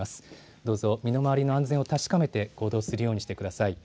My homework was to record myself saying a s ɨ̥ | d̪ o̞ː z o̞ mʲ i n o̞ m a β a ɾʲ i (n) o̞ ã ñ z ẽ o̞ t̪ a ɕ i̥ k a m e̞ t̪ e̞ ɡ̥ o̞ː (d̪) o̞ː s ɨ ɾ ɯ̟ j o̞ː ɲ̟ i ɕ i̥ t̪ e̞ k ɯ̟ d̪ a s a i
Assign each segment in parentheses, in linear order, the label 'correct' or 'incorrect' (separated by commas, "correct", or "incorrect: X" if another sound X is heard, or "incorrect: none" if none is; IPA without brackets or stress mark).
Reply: correct, correct